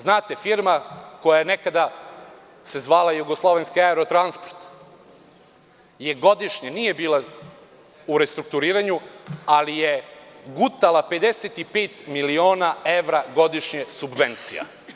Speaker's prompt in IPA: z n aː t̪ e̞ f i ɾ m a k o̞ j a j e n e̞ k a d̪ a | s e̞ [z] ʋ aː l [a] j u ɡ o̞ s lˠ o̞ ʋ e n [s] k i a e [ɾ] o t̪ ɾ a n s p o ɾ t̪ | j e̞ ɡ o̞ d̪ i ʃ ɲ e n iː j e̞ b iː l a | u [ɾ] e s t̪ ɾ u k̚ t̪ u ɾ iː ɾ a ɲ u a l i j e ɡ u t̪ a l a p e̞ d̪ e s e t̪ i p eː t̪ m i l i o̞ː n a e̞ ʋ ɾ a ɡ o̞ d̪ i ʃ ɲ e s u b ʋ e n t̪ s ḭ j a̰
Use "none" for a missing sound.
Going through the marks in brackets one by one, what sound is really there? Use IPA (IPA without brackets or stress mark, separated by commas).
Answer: z, a, s, ɾ, ɾ